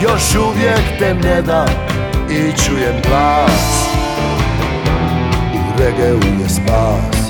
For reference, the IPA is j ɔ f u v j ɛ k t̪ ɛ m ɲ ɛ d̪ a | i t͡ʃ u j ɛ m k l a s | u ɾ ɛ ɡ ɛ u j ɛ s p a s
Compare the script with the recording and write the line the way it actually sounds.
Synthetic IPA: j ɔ ʃ u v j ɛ k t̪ ɛ m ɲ ɛ d̪ a | i t͡ʃ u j ɛ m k l a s | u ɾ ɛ ɡ ɛ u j ɛ s p a s